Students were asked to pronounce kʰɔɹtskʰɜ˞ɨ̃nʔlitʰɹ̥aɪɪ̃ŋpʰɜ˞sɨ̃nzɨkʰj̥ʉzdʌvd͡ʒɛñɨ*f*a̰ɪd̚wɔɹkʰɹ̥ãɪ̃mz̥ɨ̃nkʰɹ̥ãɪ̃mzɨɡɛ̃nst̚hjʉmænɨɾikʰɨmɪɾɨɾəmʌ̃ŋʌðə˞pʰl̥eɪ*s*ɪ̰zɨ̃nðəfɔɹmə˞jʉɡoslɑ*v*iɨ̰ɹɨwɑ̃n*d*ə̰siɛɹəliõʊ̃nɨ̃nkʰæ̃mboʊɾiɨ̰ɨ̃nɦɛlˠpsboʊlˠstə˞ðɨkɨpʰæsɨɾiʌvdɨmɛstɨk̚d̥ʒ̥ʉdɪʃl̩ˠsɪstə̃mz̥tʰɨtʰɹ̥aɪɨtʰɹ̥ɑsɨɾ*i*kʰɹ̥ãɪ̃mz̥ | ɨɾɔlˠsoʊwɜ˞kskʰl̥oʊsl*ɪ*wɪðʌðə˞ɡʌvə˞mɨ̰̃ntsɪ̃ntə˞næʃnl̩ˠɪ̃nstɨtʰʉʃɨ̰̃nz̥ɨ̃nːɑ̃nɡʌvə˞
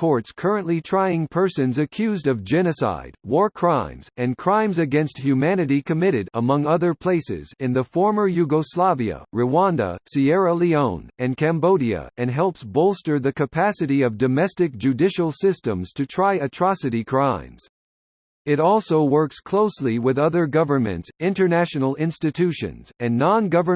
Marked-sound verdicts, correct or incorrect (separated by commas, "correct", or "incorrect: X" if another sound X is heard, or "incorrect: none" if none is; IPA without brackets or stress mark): incorrect: s, correct, correct, correct, correct, incorrect: i